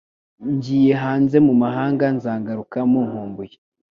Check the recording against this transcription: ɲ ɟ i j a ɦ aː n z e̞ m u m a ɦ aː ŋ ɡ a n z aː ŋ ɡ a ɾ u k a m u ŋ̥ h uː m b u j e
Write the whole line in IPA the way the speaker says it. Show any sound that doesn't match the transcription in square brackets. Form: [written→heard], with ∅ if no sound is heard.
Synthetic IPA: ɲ ɟ i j [a→e] ɦ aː n z e̞ m u m a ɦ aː ŋ ɡ a n z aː ŋ ɡ a ɾ u k a m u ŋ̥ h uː m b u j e